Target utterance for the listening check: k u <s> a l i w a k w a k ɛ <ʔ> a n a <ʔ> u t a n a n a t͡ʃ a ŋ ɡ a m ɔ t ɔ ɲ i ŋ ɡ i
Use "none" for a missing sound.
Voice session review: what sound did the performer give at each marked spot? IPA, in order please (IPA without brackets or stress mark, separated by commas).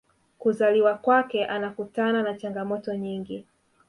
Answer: z, ʔ, k